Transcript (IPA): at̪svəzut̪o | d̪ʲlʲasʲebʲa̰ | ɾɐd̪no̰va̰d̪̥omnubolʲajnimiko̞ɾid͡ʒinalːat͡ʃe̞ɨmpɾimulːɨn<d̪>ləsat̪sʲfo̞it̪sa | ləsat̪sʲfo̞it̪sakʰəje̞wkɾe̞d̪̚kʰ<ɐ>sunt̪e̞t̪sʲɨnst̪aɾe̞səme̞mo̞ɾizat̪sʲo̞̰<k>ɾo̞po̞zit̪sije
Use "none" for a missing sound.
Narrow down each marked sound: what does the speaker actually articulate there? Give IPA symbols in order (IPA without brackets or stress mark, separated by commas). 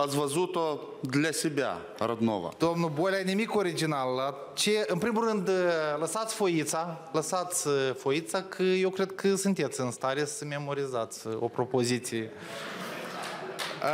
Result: d̪, ə, p